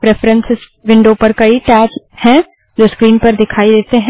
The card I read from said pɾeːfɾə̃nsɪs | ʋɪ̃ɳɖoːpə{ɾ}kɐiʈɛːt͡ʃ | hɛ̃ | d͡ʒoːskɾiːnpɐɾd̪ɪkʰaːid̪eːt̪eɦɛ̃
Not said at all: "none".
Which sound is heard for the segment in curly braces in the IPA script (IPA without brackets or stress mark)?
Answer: ɾ